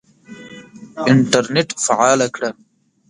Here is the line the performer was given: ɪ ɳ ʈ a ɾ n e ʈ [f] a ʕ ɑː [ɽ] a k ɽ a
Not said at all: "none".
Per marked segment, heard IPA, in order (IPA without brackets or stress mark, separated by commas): f, l